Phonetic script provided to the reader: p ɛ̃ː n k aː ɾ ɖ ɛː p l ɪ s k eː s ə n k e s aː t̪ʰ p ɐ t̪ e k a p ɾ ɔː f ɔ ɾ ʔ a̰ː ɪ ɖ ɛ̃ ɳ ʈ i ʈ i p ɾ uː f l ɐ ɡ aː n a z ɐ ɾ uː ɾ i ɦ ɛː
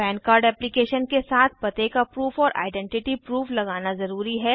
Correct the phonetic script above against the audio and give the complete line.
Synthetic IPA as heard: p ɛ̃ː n k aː ɾ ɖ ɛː p l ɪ k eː ʃ ə n k e s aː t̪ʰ p ɐ t̪ e k a p ɾ uː f ɔː ɾ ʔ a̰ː ɪ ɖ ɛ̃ ɳ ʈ ɪ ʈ i p ɾ uː f l ɐ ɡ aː n a z ɐ ɾ uː ɾ i ɦ ɛː